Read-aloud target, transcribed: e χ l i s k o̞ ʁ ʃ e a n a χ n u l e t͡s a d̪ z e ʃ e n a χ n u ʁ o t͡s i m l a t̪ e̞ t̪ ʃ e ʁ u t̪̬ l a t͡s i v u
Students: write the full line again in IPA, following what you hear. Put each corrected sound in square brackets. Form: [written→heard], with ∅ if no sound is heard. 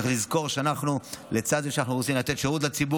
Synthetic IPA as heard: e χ l i [s→z] k o̞ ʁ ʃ e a n a χ n u l e t͡s a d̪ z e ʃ [e→a] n a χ n u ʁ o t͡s i m l a t̪ e̞ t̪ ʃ e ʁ u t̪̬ l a t͡s i [v→b] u